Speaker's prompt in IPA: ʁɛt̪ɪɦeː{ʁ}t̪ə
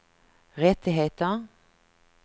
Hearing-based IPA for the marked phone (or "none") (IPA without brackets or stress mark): none